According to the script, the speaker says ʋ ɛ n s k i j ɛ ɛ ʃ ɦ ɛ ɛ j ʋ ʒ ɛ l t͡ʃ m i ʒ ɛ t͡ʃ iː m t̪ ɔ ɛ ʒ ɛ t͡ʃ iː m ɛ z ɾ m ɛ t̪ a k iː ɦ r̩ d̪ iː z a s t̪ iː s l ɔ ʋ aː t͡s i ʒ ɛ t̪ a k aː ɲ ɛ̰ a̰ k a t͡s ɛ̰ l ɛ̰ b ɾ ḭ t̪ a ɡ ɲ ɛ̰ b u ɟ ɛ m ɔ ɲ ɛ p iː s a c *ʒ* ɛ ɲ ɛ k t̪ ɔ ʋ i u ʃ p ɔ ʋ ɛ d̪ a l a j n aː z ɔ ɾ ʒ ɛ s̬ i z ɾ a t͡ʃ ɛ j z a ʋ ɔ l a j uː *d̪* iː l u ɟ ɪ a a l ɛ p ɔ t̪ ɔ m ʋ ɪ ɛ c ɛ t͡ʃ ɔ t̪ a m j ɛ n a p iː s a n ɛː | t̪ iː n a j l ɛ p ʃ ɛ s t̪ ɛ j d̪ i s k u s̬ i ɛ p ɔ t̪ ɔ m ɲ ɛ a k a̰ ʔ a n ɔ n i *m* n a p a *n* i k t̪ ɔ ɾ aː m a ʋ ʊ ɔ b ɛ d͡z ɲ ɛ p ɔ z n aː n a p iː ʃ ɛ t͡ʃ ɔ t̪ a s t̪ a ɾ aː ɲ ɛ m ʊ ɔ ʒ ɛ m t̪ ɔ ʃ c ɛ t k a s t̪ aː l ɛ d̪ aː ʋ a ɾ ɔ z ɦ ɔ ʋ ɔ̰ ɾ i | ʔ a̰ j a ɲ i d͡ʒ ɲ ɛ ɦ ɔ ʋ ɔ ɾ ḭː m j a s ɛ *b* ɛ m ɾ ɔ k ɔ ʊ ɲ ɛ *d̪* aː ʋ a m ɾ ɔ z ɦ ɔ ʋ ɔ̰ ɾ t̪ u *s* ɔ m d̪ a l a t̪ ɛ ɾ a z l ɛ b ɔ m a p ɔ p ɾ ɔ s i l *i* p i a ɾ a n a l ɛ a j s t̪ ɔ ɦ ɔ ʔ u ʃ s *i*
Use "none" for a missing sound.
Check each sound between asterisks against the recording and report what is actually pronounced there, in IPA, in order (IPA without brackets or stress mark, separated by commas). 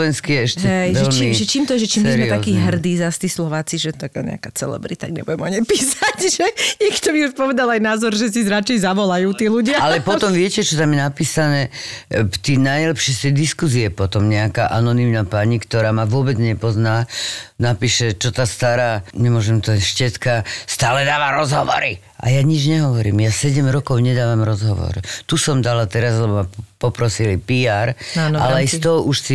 ʒ, t̪, m, ɲ, ɟ, d̪, s, i, i